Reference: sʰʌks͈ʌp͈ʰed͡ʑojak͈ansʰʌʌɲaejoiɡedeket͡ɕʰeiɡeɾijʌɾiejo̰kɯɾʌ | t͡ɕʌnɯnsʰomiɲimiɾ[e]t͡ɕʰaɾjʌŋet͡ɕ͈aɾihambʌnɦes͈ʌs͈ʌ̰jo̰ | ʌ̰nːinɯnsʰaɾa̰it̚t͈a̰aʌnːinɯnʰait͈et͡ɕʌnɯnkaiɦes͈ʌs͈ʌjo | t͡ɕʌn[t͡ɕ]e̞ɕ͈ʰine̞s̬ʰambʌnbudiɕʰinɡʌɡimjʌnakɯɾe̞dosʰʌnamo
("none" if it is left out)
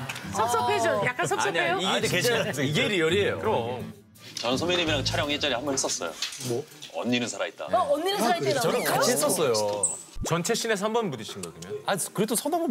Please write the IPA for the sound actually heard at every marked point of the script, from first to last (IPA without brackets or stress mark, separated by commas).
a, t͡ɕʰ